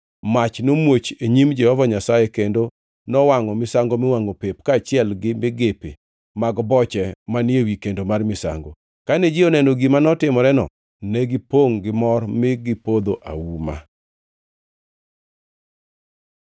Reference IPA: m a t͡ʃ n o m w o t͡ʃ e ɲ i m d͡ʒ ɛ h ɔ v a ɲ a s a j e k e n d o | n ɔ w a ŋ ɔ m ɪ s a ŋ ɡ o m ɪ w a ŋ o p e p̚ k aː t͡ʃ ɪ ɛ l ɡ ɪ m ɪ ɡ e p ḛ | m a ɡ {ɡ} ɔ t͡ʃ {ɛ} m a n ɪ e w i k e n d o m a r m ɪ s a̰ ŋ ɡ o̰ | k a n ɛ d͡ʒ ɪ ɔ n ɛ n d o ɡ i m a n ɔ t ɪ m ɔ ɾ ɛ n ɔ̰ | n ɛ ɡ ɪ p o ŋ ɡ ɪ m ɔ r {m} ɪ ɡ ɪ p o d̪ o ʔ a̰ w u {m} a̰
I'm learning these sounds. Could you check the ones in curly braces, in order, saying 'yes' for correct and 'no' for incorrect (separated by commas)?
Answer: no, yes, yes, yes